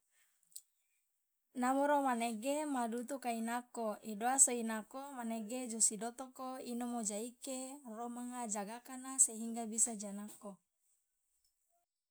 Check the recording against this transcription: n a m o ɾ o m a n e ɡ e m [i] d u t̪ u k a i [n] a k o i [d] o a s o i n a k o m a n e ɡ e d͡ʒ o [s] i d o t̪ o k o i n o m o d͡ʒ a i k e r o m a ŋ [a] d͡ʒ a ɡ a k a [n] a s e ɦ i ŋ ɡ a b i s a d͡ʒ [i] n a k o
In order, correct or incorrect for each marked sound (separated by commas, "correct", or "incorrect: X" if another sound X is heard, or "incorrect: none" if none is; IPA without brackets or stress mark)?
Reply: incorrect: a, correct, correct, correct, correct, correct, incorrect: a